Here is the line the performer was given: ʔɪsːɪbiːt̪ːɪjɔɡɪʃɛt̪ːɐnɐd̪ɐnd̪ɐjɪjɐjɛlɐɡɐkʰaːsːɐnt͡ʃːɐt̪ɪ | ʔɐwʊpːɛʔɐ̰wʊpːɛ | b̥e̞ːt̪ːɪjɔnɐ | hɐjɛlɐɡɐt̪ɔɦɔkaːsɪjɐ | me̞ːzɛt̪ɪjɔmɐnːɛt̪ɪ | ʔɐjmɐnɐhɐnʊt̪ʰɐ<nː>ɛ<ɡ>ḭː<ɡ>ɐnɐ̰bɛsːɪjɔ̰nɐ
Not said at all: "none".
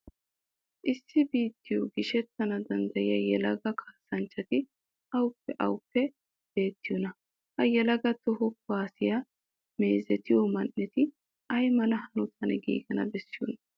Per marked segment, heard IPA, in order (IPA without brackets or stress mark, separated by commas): n, ɡ, ɡ